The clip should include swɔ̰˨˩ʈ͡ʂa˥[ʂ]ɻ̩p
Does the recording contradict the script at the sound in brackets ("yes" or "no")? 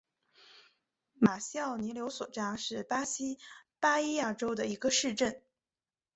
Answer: no